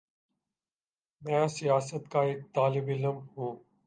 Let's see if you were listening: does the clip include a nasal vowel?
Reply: yes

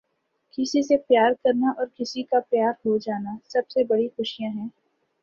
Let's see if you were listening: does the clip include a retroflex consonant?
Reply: yes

